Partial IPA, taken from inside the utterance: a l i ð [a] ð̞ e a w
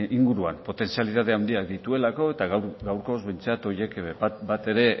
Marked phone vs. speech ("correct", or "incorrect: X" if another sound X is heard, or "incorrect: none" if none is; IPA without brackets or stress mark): correct